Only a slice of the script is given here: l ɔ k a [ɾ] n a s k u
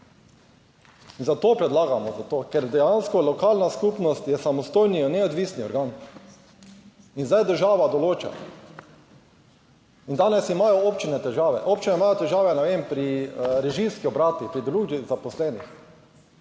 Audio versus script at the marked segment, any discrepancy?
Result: yes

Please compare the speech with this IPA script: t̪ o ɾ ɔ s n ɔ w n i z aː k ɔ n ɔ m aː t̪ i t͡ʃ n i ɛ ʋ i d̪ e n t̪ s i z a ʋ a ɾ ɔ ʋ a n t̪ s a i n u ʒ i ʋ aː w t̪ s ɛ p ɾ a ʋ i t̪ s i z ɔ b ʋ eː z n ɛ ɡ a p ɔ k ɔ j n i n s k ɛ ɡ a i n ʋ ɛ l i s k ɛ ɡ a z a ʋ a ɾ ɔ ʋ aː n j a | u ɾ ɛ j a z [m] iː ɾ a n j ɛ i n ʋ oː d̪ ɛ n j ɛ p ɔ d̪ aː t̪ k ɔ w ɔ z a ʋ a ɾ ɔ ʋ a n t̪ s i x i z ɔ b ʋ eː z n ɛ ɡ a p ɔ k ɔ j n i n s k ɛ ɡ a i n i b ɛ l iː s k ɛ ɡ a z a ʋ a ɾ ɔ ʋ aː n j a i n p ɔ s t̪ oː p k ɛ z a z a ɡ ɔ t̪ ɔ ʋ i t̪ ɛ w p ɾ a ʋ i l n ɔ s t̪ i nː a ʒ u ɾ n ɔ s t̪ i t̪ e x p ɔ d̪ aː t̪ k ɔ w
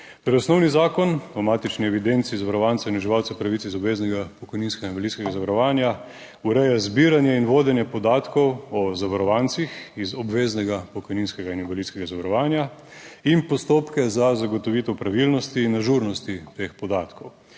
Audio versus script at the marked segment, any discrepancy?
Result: yes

